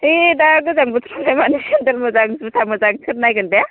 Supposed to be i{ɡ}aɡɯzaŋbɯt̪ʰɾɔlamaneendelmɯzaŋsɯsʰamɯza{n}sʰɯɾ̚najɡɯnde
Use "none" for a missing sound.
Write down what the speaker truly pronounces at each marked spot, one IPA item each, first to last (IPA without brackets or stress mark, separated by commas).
d, ŋ